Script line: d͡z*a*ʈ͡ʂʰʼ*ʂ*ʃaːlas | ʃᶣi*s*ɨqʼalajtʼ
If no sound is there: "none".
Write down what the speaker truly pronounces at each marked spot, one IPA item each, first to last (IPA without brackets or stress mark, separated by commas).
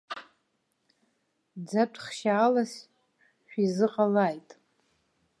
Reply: a, χ, z